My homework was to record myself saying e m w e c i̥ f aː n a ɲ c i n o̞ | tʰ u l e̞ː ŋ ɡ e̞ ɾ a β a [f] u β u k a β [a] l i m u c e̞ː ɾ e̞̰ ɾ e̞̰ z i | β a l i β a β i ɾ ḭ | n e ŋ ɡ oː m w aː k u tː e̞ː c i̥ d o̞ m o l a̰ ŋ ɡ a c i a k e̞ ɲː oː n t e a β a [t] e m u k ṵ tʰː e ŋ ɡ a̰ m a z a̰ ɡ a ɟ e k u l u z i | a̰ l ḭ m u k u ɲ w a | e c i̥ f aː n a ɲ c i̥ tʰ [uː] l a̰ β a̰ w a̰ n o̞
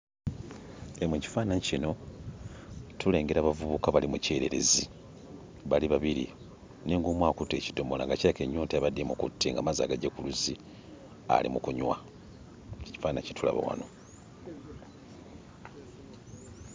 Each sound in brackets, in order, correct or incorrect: incorrect: v, correct, incorrect: d, incorrect: u

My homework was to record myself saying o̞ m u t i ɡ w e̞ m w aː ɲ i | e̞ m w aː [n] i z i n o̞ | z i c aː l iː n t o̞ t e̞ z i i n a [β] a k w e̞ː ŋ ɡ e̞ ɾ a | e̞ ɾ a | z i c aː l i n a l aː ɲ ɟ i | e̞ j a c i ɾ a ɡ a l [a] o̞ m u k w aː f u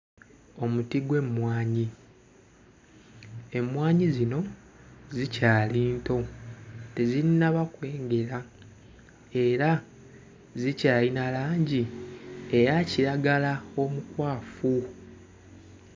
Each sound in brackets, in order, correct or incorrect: incorrect: ɲ, correct, correct

